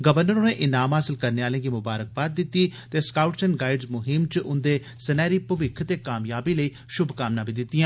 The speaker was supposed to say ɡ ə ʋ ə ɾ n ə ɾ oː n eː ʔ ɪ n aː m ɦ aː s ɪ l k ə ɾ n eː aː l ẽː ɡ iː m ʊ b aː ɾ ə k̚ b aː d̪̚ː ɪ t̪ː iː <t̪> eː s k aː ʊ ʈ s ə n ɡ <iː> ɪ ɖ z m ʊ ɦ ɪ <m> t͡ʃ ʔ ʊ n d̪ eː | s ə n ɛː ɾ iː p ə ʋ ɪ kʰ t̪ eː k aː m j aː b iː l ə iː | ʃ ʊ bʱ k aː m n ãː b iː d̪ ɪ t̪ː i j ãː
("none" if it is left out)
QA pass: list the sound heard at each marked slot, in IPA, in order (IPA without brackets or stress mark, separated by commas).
t̪, aː, m